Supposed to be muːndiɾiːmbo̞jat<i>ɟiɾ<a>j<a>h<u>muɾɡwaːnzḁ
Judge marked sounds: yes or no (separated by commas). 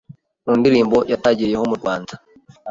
no, no, no, no